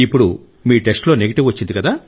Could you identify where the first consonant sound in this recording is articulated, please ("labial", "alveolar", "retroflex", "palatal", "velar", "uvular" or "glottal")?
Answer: labial